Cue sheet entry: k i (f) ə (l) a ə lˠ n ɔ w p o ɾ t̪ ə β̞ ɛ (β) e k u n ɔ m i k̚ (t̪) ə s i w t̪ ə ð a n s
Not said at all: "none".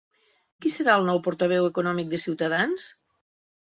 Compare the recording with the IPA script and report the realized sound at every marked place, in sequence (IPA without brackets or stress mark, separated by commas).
s, ɾ, w, d̪